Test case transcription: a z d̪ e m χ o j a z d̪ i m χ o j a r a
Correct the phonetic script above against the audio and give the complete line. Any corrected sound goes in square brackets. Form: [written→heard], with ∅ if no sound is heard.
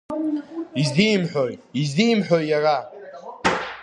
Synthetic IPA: [a→i] z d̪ [e→i] m [χ→ħ] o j [a→i] z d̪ i m [χ→ħ] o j a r a